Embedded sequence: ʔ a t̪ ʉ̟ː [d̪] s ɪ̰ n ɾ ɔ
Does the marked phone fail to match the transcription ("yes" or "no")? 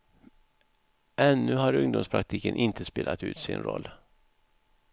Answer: yes